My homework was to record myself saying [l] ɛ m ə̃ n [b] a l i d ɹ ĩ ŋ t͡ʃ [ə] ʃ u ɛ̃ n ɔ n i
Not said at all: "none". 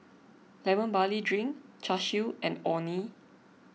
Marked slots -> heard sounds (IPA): l, b, a

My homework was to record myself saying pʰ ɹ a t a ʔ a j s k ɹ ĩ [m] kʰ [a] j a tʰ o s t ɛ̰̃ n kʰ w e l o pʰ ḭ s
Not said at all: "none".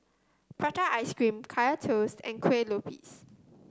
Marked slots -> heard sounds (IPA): m, a

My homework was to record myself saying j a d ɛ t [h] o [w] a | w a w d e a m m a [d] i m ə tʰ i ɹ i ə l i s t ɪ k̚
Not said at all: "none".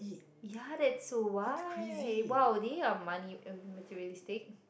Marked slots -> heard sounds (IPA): s, w, n

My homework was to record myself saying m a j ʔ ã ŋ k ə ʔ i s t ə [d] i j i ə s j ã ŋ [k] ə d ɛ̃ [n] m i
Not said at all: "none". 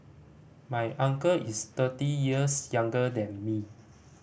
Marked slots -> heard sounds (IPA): t, ɡ, n

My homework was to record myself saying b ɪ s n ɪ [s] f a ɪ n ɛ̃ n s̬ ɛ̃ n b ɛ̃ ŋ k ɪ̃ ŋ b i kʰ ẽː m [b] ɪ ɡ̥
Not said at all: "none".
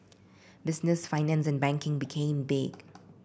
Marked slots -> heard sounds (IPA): s, b

